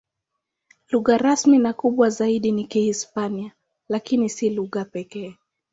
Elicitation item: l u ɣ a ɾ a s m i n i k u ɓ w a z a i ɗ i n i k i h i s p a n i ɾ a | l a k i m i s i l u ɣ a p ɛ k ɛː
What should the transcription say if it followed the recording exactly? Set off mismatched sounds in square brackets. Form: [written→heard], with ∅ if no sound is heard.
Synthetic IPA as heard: l u ɣ a ɾ a s m i n [i→a] k u ɓ w a z a i ɗ i n i k i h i s p a n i [ɾ→∅] a | l a k i [m→n] i s i l u ɣ a p ɛ k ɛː